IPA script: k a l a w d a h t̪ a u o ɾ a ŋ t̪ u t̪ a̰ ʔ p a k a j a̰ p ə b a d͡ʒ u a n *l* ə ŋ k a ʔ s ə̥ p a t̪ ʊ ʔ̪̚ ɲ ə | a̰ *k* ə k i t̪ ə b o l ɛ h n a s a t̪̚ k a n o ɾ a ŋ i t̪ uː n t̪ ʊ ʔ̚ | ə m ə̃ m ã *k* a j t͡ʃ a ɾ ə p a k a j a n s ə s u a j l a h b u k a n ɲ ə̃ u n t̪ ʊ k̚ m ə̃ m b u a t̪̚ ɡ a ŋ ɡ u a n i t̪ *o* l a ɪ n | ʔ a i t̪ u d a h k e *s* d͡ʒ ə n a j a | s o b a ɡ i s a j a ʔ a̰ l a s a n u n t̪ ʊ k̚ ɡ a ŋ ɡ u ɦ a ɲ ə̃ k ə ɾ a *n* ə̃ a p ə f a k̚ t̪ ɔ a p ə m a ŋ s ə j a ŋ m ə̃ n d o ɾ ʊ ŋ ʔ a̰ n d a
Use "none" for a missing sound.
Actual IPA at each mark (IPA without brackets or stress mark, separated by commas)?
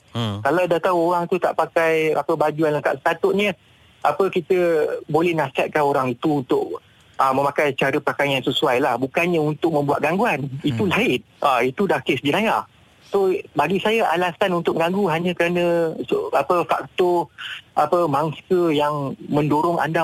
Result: l, p, k, u, s, n